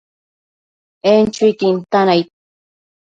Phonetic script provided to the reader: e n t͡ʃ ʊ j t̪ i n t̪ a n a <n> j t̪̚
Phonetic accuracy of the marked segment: incorrect: none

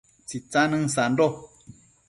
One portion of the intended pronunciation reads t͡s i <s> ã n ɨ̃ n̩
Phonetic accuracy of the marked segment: incorrect: t͡s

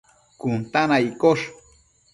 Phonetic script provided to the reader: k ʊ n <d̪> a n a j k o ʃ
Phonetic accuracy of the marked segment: incorrect: t̪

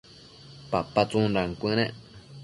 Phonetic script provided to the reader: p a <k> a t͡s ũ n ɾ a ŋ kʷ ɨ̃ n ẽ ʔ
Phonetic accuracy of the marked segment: incorrect: p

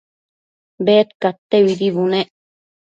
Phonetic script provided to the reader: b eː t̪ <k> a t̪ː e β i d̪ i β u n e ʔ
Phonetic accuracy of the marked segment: correct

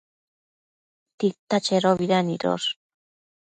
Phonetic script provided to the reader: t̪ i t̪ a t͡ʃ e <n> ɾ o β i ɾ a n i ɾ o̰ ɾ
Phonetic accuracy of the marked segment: incorrect: none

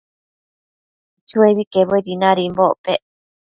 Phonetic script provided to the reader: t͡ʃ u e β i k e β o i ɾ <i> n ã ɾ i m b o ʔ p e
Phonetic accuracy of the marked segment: correct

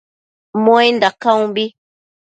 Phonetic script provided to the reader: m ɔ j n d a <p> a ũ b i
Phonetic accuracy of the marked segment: incorrect: k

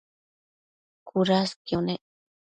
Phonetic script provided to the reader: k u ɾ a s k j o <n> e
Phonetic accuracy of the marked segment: correct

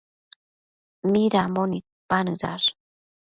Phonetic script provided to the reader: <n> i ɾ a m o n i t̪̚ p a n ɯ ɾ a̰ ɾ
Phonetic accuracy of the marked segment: incorrect: m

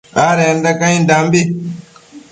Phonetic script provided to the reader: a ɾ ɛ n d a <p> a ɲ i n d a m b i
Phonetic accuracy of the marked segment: incorrect: k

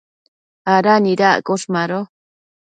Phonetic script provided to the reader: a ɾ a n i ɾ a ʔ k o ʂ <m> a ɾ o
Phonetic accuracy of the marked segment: correct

